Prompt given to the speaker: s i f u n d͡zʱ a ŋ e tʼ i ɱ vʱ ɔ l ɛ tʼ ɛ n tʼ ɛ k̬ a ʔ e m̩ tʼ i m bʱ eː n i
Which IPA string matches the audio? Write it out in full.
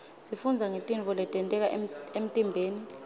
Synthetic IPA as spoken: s i f u n d͡zʱ a ŋ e tʼ i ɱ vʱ ɔ l ɛ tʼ ɛ n tʼ ɛ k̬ a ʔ e m̩ tʼ i m bʱ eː n i